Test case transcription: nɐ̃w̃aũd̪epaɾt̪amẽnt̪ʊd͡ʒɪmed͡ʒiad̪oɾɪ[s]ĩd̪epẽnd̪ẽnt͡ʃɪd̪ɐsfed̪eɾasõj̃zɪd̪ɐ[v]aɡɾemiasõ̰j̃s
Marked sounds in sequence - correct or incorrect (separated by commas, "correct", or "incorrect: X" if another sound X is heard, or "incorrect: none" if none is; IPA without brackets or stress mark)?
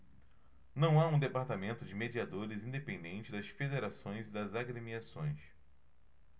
incorrect: z, incorrect: z